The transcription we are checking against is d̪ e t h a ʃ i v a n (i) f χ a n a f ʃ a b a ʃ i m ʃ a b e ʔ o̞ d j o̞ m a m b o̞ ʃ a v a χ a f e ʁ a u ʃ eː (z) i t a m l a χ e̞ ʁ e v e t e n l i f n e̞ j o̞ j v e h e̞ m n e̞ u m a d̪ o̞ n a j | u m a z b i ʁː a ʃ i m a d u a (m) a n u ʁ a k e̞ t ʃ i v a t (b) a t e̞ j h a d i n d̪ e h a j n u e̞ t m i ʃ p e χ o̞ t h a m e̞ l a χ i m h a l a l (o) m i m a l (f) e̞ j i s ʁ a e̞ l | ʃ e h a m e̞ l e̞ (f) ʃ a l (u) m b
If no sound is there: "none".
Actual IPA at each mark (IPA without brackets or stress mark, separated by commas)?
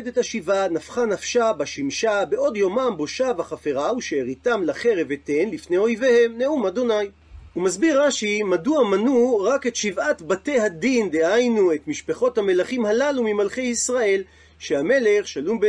a, ʁ, m, b, u, χ, χ, u